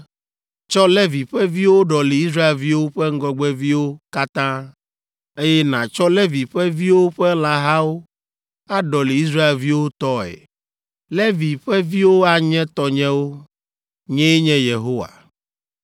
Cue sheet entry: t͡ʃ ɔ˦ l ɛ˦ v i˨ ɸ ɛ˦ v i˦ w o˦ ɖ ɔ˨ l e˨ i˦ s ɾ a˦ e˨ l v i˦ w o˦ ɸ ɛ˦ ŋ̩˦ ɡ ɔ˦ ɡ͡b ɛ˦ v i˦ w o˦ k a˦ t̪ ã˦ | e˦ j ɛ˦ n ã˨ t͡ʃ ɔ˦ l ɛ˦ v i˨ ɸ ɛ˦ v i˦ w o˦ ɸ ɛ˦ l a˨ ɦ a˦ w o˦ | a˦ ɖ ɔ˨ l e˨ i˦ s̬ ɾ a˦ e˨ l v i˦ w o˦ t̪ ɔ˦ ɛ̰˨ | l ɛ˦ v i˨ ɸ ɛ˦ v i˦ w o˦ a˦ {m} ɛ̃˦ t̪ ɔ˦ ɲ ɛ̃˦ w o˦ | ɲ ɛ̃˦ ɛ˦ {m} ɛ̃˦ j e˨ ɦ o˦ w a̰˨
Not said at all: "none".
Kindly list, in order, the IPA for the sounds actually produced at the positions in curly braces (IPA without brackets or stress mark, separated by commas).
ɲ, ɲ